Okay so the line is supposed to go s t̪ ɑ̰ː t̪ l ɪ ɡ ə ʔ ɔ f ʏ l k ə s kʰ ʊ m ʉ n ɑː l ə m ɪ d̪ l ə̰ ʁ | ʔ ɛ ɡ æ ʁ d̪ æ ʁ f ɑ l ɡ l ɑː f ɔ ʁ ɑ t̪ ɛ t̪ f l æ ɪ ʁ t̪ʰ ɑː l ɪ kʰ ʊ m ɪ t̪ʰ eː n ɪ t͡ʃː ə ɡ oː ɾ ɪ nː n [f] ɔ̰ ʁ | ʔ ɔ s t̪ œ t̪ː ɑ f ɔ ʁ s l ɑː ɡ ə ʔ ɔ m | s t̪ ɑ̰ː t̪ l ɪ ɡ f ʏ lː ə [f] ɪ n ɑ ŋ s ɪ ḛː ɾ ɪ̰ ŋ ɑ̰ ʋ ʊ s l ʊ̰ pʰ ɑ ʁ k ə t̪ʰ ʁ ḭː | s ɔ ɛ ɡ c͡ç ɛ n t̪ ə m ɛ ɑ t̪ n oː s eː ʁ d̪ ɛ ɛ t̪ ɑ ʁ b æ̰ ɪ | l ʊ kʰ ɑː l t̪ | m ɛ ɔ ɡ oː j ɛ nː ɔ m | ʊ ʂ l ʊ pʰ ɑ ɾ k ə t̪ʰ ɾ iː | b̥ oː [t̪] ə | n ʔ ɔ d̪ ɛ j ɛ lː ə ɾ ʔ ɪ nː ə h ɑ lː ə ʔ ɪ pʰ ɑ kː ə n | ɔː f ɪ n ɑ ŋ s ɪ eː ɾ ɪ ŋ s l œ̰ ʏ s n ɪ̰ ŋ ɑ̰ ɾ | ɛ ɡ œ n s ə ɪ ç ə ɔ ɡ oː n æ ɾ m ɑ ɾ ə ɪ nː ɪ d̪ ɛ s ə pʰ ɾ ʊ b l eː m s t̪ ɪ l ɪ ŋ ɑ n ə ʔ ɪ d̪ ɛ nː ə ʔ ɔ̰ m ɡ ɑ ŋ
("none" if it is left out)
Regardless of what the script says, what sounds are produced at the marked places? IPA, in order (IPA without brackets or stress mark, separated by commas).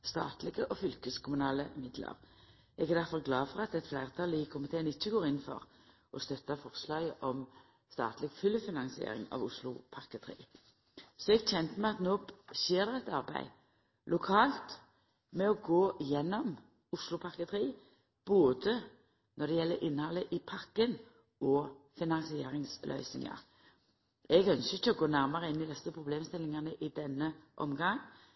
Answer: f, f, d̪